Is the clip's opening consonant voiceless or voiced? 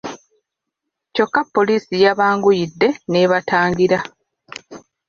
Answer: voiceless